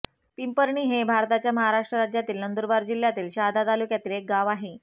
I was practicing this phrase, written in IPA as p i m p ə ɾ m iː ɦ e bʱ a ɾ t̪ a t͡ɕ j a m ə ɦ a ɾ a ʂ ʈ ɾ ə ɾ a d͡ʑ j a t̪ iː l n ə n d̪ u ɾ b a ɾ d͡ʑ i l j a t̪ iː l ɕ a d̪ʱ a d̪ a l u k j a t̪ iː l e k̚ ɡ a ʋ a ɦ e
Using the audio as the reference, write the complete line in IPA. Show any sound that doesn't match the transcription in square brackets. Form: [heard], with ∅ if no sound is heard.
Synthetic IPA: p i m p ə ɾ [ɳ] iː ɦ e bʱ a ɾ t̪ a t͡ɕ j a m ə ɦ a ɾ a ʂ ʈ ɾ ə ɾ a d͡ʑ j a t̪ iː l n ə n d̪ u ɾ b a ɾ d͡ʑ i l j a t̪ iː l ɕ a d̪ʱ a [t̪] a l u k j a t̪ iː l e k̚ ɡ a ʋ a ɦ e